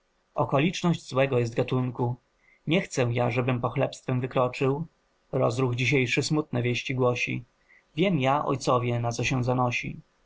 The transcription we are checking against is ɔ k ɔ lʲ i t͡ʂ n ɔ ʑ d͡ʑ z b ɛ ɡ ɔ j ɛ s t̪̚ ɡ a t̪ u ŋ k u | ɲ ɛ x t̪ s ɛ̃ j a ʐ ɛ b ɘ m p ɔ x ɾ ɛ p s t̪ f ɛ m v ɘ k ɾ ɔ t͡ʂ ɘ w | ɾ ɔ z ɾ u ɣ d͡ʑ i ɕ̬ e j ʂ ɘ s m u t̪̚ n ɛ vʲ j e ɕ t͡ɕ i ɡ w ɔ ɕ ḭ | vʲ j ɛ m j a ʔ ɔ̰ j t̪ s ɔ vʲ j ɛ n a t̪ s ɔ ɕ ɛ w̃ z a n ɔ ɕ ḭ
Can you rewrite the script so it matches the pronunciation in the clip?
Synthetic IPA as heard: ɔ k ɔ lʲ i t͡ʂ n ɔ ʑ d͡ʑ z w ɛ ɡ ɔ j ɛ s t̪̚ ɡ a t̪ u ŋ k u | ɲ ɛ x t̪ s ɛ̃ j a ʐ ɛ b ɘ m p ɔ x l ɛ p s t̪ f ɛ m v ɘ k ɾ ɔ t͡ʂ ɘ w | ɾ ɔ z ɾ u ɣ d͡ʑ i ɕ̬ e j ʂ ɘ s m u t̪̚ n ɛ vʲ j e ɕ t͡ɕ i ɡ w ɔ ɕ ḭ | vʲ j ɛ m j a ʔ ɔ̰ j t̪ s ɔ vʲ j ɛ n a t̪ s ɔ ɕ ɛ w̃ z a n ɔ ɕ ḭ